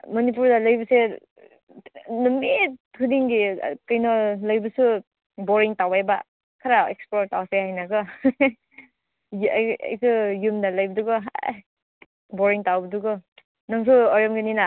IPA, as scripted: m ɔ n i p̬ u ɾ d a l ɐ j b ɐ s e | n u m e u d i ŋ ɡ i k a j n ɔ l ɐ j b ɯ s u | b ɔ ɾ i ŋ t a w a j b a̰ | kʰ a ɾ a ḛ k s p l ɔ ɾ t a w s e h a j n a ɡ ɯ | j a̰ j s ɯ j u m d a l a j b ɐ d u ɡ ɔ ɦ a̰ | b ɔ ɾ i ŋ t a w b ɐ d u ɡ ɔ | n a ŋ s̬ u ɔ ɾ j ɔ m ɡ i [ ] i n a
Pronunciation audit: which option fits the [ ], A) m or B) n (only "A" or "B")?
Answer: B